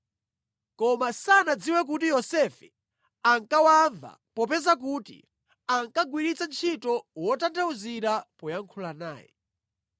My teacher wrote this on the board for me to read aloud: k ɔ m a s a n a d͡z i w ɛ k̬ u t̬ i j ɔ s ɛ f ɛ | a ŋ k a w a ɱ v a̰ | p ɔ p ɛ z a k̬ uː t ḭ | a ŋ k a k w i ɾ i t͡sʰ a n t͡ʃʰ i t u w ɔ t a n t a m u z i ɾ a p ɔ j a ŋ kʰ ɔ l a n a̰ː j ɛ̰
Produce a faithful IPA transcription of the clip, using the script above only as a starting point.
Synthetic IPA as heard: k ɔ m a s a n a d͡z i w ɛ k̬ u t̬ i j ɔ s ɛ f ɛ | a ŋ k a w a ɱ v a̰ | p ɔ p ɛ z a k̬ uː t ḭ | a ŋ k a ɡ w i ɾ i t͡s a n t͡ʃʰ i t ɔ w ɔ t a n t a u z i ɾ a p ɔ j a ŋ kʰ u l a n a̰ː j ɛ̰